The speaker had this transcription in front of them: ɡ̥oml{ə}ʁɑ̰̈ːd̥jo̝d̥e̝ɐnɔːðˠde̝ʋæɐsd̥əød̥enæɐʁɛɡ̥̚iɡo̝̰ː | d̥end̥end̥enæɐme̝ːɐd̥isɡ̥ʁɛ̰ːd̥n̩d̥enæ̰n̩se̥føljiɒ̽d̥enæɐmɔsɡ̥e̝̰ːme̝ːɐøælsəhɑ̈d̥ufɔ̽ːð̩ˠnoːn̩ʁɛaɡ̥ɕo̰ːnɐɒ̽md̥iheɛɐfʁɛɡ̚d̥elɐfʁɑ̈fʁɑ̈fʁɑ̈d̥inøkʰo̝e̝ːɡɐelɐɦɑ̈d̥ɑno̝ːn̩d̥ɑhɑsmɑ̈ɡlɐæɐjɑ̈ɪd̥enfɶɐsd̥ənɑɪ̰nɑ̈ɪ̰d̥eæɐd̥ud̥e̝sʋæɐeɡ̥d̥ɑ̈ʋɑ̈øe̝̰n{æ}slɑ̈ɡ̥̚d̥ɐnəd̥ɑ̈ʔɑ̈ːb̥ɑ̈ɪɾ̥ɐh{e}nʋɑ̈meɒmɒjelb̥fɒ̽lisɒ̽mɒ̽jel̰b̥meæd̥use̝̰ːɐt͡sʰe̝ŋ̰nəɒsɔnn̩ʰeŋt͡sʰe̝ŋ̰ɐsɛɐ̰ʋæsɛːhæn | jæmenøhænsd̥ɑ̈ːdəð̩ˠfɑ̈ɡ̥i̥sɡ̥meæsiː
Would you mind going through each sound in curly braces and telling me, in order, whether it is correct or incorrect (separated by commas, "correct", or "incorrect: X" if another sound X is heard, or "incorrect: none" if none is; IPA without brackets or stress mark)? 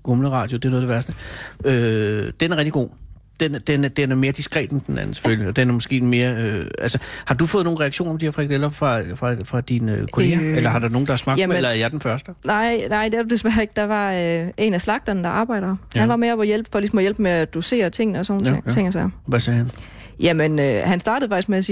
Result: correct, correct, incorrect: æ